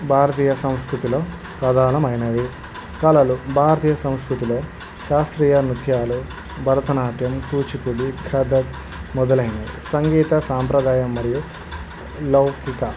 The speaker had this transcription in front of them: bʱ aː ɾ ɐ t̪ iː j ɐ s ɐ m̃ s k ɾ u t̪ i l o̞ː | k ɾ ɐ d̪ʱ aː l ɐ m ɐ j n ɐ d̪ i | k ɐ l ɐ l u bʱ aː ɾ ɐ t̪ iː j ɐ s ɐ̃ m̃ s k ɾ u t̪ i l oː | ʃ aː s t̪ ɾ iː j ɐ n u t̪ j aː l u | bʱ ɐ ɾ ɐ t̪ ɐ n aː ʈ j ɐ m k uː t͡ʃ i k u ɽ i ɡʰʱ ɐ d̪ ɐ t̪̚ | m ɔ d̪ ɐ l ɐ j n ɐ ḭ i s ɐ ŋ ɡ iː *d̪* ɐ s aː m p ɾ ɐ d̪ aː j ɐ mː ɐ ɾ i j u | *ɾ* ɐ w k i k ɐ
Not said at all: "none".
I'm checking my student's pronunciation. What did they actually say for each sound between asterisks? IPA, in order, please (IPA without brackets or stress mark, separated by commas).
t̪, l